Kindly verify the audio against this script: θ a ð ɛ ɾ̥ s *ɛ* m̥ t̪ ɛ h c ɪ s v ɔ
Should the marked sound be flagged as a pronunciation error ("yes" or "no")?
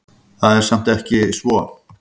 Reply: yes